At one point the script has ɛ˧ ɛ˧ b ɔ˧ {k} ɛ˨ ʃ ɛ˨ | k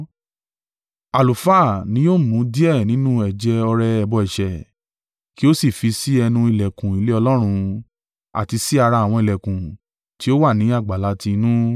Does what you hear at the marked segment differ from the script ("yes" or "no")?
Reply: yes